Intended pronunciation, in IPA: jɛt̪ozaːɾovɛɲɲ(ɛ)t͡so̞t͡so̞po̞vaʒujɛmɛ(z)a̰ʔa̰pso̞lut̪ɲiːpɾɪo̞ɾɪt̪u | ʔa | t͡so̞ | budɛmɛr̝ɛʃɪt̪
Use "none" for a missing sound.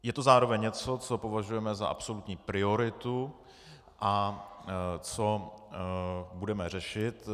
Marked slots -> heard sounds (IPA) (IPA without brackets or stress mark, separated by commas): ɛ, z